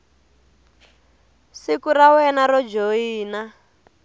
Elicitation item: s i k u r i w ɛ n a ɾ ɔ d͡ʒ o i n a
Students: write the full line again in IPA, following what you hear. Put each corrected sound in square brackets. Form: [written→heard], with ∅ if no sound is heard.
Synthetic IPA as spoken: s i k u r [i→a] w ɛ n a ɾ ɔ d͡ʒ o [i→iː] n a